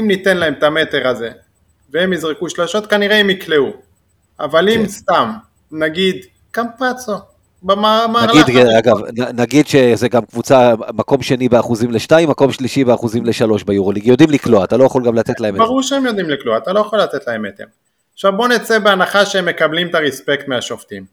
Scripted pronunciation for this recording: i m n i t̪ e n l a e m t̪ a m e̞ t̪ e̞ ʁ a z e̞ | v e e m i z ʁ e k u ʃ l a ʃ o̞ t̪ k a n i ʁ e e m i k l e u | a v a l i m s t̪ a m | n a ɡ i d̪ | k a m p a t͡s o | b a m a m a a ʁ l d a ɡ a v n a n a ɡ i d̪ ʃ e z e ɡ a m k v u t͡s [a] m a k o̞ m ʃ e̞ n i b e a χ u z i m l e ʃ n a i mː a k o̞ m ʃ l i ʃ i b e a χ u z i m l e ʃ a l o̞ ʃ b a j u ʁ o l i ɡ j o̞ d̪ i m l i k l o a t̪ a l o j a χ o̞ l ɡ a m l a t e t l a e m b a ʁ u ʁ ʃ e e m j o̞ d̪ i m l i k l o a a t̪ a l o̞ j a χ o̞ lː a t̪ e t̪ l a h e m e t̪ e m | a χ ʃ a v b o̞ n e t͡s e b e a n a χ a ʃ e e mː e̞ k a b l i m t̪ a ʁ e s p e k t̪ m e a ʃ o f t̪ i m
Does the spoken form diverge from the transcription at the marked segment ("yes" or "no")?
no